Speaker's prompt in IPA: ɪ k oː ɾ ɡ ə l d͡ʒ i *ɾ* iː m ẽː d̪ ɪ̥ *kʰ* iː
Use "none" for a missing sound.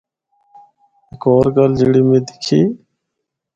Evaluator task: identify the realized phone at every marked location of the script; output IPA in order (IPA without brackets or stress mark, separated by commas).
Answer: ɽ, kʰ